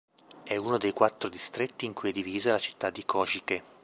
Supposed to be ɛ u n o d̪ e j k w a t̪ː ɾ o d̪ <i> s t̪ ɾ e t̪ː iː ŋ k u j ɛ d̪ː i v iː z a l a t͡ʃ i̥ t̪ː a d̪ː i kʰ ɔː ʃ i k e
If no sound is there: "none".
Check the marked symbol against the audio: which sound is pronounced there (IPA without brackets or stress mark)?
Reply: i